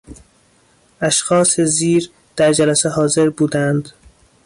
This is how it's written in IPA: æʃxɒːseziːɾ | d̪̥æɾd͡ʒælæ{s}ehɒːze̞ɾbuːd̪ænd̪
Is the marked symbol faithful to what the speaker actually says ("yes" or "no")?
yes